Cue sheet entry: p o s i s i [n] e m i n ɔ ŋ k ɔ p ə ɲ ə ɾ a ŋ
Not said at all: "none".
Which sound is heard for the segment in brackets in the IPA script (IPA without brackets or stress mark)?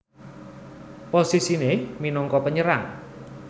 n